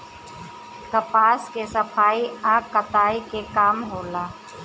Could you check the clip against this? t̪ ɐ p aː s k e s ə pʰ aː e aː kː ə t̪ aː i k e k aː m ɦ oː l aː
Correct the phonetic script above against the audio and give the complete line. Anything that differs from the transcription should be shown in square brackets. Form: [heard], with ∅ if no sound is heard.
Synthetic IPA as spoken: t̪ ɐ p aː s k e s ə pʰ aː [i] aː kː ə t̪ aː i k e k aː m ɦ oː l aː